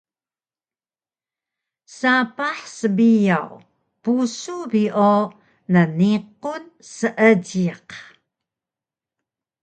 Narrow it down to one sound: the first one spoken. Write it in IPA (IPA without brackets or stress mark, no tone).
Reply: s